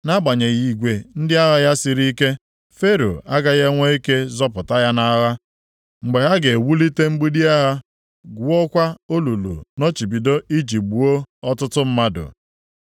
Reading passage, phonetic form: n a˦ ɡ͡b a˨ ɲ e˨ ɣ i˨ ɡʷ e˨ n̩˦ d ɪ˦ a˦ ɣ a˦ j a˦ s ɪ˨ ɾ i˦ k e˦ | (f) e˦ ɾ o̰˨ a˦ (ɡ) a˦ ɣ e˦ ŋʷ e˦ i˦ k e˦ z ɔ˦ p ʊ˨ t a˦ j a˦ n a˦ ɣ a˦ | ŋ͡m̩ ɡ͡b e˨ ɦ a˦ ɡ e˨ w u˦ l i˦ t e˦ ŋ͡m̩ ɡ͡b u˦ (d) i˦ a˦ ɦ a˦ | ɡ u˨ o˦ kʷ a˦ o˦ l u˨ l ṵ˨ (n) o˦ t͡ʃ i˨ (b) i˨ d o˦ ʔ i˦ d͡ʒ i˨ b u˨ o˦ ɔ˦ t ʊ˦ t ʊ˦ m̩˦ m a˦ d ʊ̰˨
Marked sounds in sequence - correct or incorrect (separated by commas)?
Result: correct, correct, correct, correct, correct